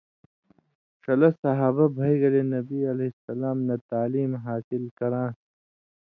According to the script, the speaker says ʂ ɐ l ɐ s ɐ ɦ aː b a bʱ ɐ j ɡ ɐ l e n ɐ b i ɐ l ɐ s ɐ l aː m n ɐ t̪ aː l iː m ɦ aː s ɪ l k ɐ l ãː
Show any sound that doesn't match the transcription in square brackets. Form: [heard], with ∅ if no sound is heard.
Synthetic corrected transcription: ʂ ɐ l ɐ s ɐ ɦ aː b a bʱ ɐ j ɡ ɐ l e n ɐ b i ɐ l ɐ s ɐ l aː m n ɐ t̪ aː l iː m ɦ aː s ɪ l k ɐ [ɾ] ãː